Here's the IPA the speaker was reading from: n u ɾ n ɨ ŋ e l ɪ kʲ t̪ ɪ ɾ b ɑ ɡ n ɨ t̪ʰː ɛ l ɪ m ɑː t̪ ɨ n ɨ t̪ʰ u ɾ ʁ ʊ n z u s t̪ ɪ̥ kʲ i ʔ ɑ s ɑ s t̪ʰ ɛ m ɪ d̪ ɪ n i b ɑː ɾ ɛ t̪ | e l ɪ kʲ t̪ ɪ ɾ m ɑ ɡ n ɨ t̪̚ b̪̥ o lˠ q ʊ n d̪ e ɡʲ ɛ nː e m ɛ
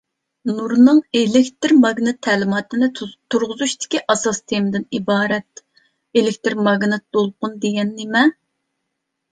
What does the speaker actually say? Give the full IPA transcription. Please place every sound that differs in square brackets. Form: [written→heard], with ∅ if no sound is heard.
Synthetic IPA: n u ɾ n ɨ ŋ e l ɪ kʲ t̪ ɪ ɾ [b→m] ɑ ɡ n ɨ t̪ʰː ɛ l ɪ m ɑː t̪ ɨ n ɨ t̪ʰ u ɾ ʁ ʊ [n→∅] z u [s→ʃ] t̪ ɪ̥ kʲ i ʔ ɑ s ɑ s t̪ʰ [ɛ→e] m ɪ d̪ ɪ n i b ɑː ɾ ɛ t̪ | e l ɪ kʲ t̪ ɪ ɾ m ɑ ɡ n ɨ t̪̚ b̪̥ o lˠ q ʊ n d̪ e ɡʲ ɛ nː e m ɛ